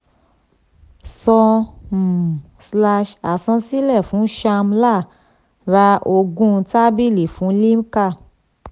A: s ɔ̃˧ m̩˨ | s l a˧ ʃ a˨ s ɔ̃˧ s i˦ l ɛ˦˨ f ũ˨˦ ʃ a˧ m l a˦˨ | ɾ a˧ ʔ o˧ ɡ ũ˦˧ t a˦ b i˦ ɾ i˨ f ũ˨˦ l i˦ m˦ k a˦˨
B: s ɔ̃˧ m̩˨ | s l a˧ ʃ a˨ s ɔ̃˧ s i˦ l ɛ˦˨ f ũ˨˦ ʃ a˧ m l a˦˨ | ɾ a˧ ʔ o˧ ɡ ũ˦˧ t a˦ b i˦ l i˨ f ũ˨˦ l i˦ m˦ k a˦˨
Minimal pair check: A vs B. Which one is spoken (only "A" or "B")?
B